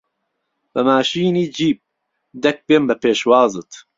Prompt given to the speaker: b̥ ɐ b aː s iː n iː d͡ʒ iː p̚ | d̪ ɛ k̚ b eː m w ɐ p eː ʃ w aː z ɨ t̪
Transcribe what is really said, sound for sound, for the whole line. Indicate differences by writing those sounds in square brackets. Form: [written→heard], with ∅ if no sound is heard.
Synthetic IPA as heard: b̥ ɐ [b→m] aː [s→ʃ] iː n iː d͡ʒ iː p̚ | d̪ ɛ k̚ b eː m [w→b] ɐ p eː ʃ w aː z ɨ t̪